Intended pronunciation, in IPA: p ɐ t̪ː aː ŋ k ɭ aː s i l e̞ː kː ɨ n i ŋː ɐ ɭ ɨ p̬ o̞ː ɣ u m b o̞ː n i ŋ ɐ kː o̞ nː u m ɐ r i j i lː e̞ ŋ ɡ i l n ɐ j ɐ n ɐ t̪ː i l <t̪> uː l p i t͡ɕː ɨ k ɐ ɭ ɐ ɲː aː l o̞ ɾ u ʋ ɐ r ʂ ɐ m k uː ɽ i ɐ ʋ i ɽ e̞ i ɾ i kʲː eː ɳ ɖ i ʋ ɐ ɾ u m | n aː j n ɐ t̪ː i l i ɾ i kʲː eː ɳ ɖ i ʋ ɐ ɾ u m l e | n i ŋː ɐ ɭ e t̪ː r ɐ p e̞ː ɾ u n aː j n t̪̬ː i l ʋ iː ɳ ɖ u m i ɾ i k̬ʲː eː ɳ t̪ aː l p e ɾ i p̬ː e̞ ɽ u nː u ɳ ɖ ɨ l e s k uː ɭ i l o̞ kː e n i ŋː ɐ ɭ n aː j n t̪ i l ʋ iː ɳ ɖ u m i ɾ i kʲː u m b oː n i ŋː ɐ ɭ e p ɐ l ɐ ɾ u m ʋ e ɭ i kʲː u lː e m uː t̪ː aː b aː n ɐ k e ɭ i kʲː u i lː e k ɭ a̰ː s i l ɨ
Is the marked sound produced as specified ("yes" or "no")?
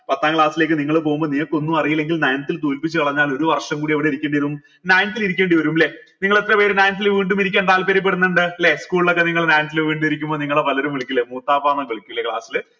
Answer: yes